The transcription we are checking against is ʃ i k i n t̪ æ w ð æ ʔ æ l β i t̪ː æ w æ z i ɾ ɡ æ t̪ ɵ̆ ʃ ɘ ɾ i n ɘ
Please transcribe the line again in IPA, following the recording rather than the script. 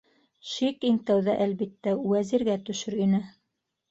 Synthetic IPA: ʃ i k i ŋ t̪ æ w ð æ ʔ æ l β i t̪ː æ w æ z i ɾ ɡ æ t̪ ɵ̆ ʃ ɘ ɾ i n ɘ